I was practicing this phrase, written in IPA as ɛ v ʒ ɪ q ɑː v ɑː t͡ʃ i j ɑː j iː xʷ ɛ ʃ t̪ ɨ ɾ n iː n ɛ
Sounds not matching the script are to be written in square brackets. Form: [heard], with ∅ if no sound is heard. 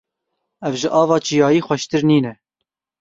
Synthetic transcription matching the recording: ɛ v ʒ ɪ [ʔ] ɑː v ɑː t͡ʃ i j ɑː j iː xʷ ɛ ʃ t̪ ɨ ɾ n iː n ɛ